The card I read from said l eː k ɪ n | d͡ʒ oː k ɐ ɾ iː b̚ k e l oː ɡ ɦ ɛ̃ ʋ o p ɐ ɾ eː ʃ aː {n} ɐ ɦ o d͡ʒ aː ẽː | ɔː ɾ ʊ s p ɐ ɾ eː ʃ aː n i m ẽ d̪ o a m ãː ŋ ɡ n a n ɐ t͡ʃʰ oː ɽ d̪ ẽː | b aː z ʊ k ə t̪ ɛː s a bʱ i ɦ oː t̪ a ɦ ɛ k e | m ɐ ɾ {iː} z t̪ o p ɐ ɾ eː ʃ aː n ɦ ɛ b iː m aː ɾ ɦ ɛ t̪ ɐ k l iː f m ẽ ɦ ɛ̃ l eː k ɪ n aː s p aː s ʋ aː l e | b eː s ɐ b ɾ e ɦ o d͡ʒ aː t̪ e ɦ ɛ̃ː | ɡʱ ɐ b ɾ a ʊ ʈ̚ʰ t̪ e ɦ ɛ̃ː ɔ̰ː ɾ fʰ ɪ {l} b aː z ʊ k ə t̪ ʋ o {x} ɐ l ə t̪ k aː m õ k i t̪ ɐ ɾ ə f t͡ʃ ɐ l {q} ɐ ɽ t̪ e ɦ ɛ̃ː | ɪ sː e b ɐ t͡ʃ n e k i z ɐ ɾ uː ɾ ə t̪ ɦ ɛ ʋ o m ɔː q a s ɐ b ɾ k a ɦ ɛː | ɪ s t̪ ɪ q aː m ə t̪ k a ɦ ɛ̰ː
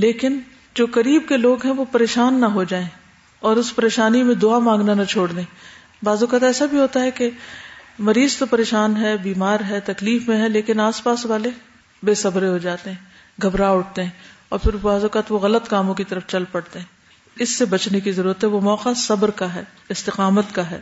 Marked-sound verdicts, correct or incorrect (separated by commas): incorrect, correct, incorrect, incorrect, incorrect